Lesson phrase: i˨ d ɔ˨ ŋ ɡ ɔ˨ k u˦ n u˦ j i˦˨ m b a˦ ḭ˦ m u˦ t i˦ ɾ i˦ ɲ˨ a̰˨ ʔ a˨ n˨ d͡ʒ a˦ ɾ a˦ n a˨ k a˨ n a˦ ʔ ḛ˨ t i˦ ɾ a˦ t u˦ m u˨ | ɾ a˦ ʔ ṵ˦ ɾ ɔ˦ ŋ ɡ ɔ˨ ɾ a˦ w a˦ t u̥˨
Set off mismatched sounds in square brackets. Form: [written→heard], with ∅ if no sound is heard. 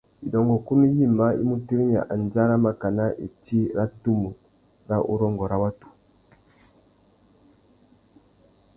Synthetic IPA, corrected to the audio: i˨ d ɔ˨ ŋ ɡ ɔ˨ k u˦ n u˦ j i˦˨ m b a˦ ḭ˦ m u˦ t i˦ ɾ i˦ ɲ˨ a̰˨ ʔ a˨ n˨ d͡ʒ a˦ ɾ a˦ [n→m] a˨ k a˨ n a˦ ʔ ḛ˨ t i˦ ɾ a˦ t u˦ m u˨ | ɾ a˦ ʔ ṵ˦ ɾ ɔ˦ ŋ ɡ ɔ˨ ɾ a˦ w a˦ t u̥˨